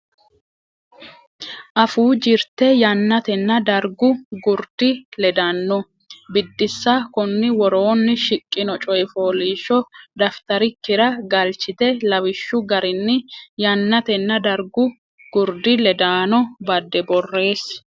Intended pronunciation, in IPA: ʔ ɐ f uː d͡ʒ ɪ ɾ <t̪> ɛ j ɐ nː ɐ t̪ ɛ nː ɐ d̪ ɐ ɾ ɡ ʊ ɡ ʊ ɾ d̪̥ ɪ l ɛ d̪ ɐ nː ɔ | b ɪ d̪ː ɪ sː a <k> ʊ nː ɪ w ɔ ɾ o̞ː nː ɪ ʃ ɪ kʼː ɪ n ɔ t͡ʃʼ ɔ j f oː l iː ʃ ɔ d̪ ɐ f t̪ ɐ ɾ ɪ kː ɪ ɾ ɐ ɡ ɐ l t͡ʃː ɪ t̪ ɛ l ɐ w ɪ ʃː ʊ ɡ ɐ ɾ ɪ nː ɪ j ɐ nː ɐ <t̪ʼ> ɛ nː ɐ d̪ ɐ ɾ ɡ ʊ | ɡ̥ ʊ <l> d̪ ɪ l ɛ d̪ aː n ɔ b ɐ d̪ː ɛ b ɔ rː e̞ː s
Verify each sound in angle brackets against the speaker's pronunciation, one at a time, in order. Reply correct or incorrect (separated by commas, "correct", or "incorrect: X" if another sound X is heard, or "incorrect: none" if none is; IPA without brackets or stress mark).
correct, correct, incorrect: t̪, incorrect: ɾ